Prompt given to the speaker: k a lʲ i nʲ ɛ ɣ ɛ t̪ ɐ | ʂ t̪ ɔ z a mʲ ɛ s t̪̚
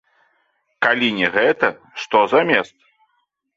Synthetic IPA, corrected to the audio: k a lʲ i nʲ ɛ ɣ ɛ t̪ ɐ | ʂ t̪ ɔ z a mʲ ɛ s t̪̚